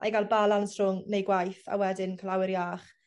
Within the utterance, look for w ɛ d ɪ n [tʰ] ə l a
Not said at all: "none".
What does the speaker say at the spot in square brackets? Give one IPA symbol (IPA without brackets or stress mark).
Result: kʰ